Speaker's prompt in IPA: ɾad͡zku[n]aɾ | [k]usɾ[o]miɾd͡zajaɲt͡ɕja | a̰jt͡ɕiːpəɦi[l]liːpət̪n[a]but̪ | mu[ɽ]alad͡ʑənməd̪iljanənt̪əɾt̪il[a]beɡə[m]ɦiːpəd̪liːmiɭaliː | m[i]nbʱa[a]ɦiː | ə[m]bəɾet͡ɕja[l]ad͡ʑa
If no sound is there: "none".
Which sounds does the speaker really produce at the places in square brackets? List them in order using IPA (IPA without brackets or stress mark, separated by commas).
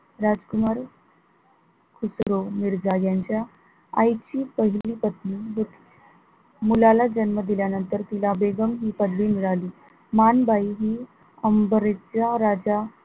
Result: m, kʰ, o, l, i, l, a, m, a, i, m, ɾ